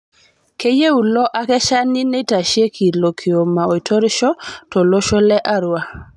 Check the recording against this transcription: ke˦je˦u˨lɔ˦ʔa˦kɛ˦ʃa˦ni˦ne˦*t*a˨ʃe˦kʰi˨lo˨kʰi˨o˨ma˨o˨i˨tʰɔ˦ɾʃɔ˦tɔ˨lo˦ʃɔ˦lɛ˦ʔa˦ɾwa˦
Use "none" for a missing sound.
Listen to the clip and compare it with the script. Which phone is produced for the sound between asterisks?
t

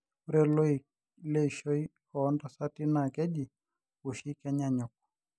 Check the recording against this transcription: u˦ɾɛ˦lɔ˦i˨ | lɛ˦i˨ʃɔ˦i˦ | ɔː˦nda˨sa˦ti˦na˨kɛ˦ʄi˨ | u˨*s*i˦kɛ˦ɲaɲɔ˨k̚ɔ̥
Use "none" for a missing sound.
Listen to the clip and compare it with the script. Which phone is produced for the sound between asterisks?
ʃ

